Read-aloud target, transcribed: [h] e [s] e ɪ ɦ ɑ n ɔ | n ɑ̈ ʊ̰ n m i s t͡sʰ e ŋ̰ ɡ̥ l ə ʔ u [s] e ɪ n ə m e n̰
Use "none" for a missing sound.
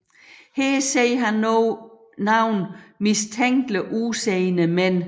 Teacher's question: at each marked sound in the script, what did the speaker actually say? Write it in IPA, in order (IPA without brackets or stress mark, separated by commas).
h, s, s